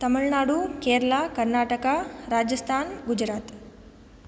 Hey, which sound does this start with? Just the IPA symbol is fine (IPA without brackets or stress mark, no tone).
t̪